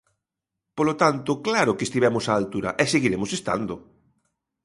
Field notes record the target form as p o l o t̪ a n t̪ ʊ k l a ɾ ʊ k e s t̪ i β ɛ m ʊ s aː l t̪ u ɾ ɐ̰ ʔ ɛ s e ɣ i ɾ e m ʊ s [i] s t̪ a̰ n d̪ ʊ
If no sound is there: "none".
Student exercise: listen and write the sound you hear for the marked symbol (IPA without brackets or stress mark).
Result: e